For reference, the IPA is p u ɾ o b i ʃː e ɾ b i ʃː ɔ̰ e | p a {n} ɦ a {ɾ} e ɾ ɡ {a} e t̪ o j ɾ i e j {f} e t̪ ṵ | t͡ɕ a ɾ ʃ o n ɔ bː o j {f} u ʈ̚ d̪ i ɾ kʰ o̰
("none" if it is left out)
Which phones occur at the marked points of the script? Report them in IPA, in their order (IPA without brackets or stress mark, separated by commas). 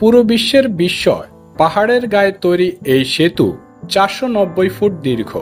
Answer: none, ɽ, a, ʃ, f